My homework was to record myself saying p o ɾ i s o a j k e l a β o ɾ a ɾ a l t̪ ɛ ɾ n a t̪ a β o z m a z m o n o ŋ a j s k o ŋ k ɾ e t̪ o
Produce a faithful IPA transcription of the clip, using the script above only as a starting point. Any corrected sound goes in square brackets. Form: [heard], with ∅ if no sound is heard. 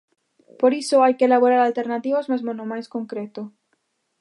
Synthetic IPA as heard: p o ɾ i s o a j k e l a β o ɾ a ɾ a l t̪ [e] ɾ n a t̪ [i] β o z m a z m o n o [m] a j s k o ŋ k ɾ e t̪ o